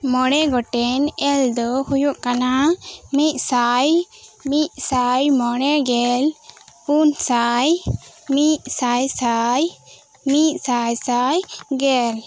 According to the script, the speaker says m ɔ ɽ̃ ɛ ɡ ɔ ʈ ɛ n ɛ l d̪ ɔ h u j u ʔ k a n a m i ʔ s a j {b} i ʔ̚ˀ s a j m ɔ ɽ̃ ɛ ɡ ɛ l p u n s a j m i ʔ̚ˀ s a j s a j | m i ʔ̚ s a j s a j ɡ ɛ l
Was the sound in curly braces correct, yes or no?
no